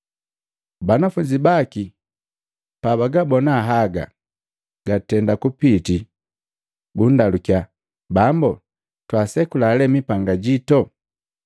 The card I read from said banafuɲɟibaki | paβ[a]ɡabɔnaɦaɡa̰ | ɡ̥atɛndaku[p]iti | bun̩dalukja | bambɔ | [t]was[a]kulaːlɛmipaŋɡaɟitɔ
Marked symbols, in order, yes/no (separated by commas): yes, yes, yes, no